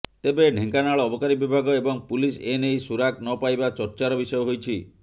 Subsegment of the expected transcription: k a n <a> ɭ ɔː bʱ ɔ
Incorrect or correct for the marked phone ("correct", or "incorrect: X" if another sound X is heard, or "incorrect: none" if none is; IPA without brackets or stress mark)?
correct